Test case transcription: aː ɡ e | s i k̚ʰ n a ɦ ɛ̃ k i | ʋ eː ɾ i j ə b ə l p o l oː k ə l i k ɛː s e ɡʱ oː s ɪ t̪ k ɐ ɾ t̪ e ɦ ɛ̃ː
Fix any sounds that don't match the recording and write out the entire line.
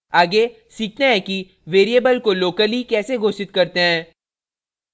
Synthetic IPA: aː ɡ e | s iː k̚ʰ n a ɦ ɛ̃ k i | ʋ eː ɾ i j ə b ə l k o l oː k ə l i k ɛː s e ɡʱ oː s ɪ t̪ k ɐ ɾ t̪ e ɦ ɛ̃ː